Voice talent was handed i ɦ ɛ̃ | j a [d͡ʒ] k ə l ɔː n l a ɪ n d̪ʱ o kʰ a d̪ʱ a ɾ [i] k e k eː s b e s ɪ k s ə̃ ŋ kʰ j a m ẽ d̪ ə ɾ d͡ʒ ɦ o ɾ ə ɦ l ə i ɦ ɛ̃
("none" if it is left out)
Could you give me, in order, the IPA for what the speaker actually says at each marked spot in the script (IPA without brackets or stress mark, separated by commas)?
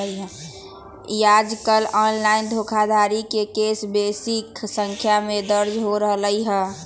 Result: d͡ʒ, i